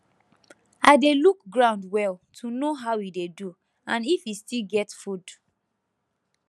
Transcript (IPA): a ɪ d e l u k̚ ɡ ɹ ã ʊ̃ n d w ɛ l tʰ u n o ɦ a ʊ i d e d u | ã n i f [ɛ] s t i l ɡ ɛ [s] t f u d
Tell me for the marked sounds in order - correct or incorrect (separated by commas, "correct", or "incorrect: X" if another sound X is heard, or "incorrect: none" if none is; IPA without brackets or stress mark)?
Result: incorrect: i, incorrect: none